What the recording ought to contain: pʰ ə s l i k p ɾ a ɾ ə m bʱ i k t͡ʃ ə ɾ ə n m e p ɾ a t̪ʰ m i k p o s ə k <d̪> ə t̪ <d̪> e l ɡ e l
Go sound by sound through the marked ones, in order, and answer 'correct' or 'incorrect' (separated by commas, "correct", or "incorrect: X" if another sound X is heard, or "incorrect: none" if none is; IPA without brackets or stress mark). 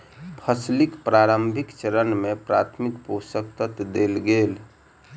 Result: incorrect: t̪, correct